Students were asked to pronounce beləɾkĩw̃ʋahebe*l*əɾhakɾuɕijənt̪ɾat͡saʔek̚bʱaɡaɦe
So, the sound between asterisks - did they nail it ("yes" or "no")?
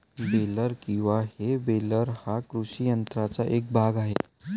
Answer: yes